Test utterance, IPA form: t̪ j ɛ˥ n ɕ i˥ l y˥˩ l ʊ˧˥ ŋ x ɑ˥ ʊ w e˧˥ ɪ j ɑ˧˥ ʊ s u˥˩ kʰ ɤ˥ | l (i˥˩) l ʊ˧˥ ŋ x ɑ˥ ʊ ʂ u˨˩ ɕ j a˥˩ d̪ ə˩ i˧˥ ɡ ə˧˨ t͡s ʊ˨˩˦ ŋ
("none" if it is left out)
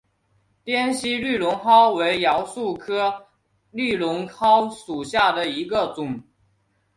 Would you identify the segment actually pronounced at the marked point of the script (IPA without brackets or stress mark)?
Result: y˥˩